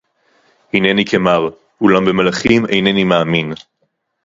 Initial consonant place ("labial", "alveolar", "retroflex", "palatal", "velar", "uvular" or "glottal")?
glottal